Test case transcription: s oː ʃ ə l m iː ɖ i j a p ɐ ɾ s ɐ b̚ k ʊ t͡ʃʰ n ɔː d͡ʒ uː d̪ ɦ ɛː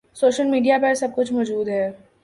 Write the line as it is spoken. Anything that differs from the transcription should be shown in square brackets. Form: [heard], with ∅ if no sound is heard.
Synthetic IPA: s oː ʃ ə l m iː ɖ i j a p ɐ ɾ s ɐ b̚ k ʊ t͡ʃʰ [m] ɔː d͡ʒ uː d̪ ɦ ɛː